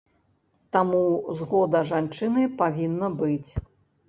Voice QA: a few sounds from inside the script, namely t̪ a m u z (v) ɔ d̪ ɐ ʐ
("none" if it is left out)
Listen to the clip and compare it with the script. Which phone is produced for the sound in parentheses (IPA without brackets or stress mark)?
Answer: ɣ